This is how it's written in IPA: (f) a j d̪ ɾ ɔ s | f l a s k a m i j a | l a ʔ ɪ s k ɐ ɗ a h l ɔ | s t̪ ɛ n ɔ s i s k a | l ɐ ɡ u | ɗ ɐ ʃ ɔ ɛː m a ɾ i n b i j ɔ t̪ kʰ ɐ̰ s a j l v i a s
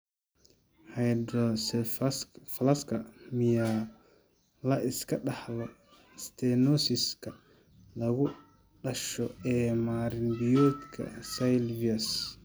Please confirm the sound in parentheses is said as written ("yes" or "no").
no